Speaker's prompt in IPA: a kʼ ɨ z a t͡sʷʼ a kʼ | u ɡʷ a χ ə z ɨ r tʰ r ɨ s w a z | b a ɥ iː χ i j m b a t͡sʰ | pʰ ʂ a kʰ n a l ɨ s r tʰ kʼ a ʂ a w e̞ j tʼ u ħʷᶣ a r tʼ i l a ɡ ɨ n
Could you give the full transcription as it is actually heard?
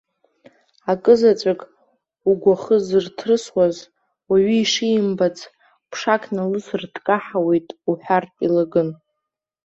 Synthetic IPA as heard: a kʼ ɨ z a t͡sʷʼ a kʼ | u ɡʷ a χ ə z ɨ r tʰ r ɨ s w a z | w a ɥ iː ʂ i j m b a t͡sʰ | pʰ ʂ a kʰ n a l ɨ s r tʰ kʼ a ħ a w e̞ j tʼ u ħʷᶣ a r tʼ i l a ɡ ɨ n